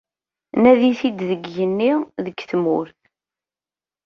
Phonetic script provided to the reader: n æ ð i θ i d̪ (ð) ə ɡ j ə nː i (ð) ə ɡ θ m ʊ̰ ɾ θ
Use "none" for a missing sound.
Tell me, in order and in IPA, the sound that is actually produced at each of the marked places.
ð, ð

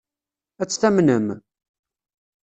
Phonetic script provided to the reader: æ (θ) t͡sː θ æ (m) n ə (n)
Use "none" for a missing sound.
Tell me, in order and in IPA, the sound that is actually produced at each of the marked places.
none, m, m

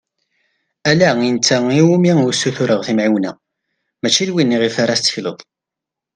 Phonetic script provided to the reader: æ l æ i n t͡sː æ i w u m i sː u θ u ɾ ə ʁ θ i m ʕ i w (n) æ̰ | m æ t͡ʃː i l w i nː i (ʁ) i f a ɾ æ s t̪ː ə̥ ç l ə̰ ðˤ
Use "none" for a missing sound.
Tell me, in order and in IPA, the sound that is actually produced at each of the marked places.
n, ʁ

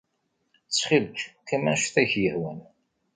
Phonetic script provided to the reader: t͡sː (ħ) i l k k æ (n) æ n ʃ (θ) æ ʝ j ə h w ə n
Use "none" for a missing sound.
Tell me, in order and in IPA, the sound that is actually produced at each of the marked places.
χ, m, θ

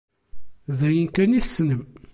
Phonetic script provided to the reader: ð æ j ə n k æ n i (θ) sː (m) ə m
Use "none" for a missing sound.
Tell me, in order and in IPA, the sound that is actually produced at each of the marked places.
θ, n

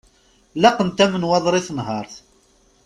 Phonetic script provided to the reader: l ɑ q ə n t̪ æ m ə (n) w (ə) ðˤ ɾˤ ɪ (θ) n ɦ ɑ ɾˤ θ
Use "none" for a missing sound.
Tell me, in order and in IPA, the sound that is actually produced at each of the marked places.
n, ɑ, θ

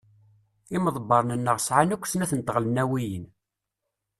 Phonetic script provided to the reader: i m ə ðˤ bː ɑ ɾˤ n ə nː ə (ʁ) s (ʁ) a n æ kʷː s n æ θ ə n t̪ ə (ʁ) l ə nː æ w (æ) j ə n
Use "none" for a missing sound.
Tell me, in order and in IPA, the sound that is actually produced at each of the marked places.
ʁ, ʕ, ʁ, i

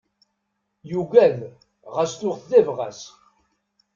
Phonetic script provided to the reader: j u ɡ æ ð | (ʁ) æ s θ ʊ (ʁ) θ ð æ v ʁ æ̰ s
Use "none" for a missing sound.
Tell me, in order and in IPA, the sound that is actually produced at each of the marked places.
ʁ, ʁ

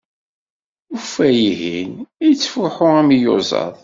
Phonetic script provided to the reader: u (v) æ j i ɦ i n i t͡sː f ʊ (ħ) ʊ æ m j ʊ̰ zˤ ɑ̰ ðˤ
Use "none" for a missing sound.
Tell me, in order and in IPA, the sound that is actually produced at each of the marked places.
f, ħ

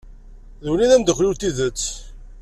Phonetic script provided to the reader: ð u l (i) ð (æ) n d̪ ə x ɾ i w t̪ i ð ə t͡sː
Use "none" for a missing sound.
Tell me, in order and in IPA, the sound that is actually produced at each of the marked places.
i, æ

